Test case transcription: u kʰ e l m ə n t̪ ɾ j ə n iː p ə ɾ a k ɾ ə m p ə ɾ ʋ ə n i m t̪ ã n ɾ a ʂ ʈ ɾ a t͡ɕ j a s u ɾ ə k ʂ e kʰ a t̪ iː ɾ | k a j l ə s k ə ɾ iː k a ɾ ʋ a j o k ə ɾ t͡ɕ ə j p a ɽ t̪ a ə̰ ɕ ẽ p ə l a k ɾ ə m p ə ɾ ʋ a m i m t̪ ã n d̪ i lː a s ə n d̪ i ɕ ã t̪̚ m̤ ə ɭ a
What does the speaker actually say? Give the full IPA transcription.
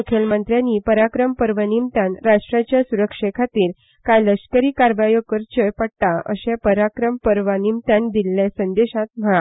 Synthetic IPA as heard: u kʰ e l m ə n t̪ ɾ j a n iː p ə ɾ a k ɾ ə m p ə ɾ ʋ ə n i m t̪ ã n ɾ a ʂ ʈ ɾ a t͡ɕ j a s u ɾ ə k ʂ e kʰ a t̪ iː ɾ | k a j l ə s k ə ɾ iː k a ɾ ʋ a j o k ə ɾ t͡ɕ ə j p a ɽ t̪ a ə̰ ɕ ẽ p ə ɾ a k ɾ ə m p ə ɾ ʋ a n i m t̪ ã n d̪ i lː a s ə n d̪ e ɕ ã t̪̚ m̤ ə ɭ a